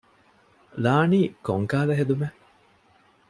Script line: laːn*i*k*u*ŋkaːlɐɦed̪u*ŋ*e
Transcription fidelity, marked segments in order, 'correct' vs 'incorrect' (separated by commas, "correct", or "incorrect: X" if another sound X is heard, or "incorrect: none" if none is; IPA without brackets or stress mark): incorrect: iː, incorrect: o, incorrect: m